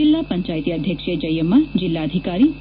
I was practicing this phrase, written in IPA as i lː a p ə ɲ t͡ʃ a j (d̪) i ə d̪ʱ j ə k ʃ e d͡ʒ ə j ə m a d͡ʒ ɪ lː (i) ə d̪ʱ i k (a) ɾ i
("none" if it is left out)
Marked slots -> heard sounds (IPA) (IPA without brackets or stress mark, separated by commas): t̪, a, a